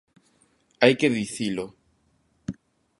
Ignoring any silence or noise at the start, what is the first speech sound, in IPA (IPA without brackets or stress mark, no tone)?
a